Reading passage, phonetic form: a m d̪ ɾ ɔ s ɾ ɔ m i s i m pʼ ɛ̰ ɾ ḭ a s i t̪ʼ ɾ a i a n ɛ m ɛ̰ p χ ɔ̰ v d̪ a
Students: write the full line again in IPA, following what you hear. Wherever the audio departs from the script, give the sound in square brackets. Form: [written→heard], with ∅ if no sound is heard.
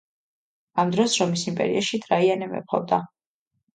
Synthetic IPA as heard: a m d̪ ɾ ɔ s ɾ ɔ m i s i m pʼ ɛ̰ ɾ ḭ a [s→ʃ] i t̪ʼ ɾ a i a n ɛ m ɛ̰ p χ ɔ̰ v d̪ a

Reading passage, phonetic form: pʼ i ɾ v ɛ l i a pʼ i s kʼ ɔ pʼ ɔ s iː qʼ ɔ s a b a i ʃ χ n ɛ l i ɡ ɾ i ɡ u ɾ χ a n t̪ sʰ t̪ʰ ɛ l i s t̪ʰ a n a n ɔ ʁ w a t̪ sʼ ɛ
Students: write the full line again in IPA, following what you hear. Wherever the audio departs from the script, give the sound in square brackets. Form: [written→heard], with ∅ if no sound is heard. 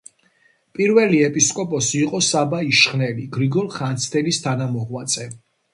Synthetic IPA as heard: pʼ i ɾ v ɛ l i [a→ɛ] pʼ i s kʼ ɔ pʼ ɔ s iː qʼ ɔ s a b a i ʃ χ n ɛ l i ɡ ɾ i ɡ [u→ɔ] ɾ χ a n t̪ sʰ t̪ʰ ɛ l i s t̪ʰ a n a [n→m] ɔ ʁ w a t̪ sʼ ɛ

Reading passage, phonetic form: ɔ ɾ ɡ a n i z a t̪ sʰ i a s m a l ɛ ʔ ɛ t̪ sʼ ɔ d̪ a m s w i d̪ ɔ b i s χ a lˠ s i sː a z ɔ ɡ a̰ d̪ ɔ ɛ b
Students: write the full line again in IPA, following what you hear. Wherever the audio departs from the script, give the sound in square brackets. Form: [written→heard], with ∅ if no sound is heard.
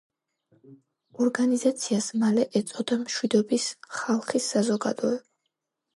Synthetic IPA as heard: ɔ ɾ ɡ a n i z a t̪ sʰ i a s m a l ɛ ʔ ɛ t̪ sʼ ɔ d̪ a m [s→ʃ] w i d̪ ɔ b i s χ a lˠ [s→χ] i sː a z ɔ ɡ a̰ d̪ ɔ ɛ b

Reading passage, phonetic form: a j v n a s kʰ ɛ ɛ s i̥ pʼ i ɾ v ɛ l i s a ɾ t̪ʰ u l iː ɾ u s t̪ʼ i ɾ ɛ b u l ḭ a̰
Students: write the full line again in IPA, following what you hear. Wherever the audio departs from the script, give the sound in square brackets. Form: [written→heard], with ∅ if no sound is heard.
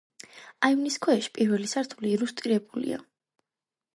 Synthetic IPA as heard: a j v n [a→i] s kʰ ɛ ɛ [s→ʃ] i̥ pʼ i ɾ v ɛ l i s a ɾ t̪ʰ u l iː ɾ u s t̪ʼ i ɾ ɛ b u l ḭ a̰

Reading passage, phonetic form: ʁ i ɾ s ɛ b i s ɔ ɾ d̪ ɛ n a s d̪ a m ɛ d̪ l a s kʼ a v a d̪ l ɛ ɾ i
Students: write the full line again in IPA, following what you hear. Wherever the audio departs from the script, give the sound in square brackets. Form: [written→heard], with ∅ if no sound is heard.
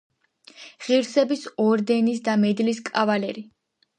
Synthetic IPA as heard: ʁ i ɾ s ɛ b i s ɔ ɾ d̪ ɛ n [a→i] s d̪ a m ɛ d̪ l [a→i] s kʼ a v a [d̪→∅] l ɛ ɾ i

